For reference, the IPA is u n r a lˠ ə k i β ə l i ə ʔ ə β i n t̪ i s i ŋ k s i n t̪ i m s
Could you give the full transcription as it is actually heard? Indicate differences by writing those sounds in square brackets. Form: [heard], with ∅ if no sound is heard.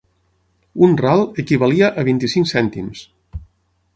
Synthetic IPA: u n r a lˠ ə k i β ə l i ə ʔ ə β i n t̪ i s i ŋ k s [ɛ] n t̪ i m s